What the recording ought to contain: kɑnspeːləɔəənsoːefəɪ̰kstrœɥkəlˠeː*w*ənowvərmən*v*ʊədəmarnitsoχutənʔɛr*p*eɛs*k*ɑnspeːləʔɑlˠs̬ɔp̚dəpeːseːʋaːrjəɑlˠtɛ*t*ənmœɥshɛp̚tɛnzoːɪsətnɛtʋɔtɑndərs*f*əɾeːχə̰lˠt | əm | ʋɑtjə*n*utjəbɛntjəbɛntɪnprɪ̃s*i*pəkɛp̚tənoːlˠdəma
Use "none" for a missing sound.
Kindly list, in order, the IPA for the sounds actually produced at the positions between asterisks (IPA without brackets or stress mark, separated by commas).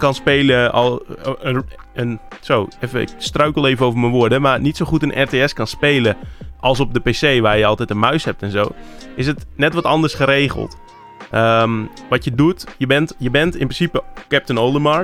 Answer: v, ʋ, t, k, t, χ, d, i